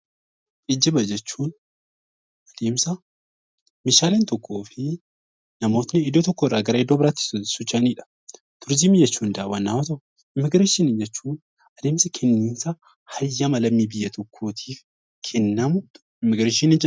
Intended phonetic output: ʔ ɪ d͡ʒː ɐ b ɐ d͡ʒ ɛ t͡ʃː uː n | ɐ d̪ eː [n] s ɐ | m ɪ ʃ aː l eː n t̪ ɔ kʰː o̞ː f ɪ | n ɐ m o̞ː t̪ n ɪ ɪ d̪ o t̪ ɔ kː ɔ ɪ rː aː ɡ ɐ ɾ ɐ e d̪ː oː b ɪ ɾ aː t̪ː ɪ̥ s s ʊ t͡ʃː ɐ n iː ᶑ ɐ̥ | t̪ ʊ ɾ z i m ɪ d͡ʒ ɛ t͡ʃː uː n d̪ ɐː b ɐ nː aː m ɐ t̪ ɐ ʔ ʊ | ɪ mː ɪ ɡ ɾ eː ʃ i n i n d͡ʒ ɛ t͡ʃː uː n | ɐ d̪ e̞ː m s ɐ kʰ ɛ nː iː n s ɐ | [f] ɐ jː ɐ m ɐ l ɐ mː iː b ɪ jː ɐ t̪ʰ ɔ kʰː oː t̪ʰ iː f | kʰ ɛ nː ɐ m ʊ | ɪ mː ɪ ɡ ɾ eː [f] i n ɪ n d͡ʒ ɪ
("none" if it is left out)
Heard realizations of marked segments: m, h, ʃ

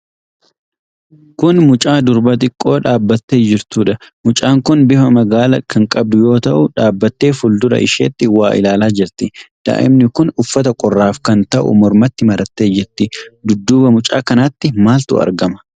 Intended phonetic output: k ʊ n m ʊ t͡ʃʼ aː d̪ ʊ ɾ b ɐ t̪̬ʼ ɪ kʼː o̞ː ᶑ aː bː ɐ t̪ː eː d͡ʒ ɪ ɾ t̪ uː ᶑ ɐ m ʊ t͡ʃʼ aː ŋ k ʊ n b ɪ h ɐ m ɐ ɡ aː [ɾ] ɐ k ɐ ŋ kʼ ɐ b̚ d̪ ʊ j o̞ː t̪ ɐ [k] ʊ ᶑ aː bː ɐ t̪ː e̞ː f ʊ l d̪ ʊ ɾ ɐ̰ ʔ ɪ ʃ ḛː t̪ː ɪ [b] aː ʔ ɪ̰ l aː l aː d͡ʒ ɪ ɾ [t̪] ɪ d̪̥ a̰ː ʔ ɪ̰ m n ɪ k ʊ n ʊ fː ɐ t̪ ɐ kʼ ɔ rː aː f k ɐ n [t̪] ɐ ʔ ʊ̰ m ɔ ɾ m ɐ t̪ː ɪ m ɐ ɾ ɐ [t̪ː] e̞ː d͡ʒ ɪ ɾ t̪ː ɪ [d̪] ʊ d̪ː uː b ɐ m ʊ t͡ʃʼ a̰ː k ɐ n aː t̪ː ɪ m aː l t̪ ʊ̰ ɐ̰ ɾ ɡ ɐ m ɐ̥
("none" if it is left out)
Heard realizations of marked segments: l, ʔ, w, t̪, t̪, t̪ː, d̪

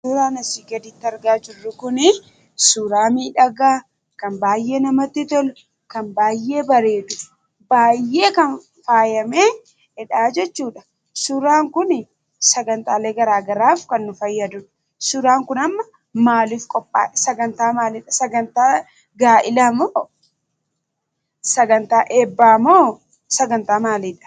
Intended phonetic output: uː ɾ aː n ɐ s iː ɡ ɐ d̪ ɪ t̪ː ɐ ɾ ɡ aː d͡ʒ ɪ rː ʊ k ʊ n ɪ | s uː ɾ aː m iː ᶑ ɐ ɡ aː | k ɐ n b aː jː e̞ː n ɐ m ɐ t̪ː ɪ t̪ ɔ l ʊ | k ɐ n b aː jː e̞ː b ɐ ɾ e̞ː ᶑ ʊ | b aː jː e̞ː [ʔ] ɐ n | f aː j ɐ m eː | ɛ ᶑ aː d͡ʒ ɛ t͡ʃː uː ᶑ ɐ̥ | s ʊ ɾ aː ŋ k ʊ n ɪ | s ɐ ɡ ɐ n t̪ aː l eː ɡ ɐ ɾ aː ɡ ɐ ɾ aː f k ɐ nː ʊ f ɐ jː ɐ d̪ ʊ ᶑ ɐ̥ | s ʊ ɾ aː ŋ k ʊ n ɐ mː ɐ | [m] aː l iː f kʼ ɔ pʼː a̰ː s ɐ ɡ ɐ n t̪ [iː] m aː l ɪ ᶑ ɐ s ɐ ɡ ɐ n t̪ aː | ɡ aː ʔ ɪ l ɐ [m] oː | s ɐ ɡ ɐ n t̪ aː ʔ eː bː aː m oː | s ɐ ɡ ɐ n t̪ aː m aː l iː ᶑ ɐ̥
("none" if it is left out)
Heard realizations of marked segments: k, m, aː, m

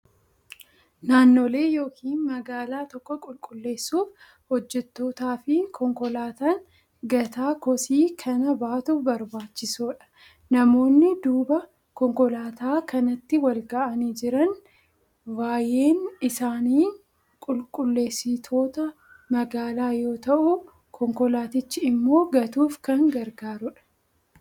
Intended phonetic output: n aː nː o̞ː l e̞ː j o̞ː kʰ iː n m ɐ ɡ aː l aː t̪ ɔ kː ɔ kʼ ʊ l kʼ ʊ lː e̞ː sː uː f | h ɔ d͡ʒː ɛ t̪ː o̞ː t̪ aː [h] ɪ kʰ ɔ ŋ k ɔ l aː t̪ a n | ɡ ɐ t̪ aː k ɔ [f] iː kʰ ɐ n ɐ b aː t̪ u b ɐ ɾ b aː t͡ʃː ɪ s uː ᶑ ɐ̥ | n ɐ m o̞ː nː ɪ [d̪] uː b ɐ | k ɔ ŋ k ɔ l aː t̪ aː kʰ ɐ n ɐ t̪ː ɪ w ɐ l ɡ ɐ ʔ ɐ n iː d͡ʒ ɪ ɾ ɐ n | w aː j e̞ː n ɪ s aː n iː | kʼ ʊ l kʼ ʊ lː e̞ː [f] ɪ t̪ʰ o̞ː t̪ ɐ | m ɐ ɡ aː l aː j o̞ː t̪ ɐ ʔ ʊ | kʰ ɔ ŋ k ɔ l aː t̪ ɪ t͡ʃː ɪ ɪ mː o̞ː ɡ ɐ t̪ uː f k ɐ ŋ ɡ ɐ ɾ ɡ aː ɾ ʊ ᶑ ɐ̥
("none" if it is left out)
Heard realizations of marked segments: f, s, d̪, s

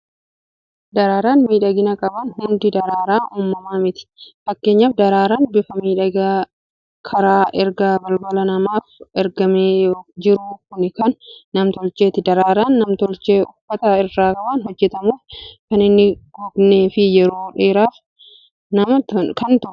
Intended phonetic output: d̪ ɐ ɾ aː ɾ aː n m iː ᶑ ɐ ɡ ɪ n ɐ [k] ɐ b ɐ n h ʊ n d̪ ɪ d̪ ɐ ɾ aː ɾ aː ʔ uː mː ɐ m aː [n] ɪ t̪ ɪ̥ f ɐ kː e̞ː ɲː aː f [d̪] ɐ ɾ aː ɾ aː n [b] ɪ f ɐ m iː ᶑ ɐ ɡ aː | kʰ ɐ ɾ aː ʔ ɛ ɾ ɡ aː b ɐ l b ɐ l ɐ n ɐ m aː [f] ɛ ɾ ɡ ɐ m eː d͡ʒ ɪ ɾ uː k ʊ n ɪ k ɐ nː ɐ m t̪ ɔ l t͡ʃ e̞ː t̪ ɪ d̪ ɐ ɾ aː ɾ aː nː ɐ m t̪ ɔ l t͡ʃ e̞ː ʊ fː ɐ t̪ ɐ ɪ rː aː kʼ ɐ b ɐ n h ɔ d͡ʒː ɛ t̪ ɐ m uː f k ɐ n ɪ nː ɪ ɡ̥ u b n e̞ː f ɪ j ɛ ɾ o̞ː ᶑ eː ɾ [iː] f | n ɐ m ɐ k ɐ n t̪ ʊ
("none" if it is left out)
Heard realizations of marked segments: kʼ, m, d̪, b, f, aː

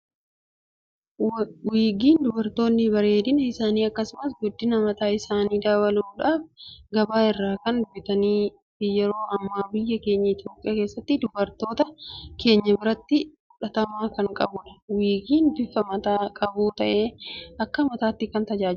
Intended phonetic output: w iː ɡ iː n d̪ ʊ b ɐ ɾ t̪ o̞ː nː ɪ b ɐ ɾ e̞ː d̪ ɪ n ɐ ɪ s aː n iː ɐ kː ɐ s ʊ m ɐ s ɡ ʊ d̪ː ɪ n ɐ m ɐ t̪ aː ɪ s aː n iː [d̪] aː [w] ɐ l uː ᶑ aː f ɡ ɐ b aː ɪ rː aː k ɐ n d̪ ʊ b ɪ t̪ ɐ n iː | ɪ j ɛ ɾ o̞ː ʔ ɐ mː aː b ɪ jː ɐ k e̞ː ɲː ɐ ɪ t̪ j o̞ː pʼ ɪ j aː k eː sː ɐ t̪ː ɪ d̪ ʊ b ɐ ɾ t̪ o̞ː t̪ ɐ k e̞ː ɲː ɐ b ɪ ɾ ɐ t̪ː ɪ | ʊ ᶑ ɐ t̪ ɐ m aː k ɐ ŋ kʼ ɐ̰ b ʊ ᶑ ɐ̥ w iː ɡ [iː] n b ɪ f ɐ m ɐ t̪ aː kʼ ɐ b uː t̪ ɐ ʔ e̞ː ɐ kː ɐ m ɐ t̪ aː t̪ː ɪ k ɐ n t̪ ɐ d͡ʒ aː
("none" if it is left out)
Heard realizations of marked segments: d̪, w, iː

